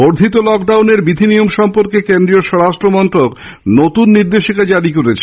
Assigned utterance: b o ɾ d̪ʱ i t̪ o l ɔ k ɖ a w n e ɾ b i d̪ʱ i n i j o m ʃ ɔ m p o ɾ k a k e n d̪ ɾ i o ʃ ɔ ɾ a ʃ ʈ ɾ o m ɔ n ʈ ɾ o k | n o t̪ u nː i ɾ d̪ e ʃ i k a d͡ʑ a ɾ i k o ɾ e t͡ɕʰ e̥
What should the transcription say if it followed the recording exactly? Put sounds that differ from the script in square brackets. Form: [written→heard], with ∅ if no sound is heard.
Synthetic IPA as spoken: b o ɾ d̪ʱ i t̪ o l ɔ k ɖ a w n e ɾ b i d̪ʱ i n i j o m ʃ ɔ m p o ɾ k [a→e] k e n d̪ ɾ i o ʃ ɔ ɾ a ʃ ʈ ɾ o m ɔ n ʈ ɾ o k | n o t̪ u nː i ɾ d̪ e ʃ i k a d͡ʑ a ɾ i k o ɾ e t͡ɕʰ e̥